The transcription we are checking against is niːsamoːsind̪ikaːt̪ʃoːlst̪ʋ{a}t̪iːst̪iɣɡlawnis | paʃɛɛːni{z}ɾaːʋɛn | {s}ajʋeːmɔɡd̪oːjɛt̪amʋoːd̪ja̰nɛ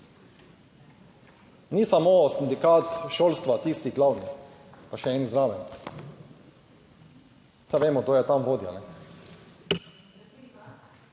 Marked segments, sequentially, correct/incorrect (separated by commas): correct, correct, correct